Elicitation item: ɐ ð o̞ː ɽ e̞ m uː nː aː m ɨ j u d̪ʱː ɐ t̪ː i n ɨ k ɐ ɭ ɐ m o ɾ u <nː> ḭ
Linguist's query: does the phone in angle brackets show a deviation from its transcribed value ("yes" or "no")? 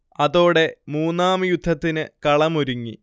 yes